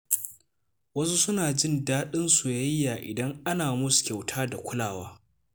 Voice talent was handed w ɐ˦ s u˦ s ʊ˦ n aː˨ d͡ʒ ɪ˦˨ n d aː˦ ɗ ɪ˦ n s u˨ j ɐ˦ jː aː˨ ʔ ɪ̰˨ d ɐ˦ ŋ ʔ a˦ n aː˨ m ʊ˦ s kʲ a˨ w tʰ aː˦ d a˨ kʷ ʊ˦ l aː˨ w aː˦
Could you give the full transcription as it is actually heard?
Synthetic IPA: w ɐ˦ s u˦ s ʊ˦ n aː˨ d͡ʒ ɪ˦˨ n d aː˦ ɗ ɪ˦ n s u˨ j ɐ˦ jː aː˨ ʔ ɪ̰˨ d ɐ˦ ŋ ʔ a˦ n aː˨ m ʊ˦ s kʲ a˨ w tʰ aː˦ d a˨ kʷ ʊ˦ l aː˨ w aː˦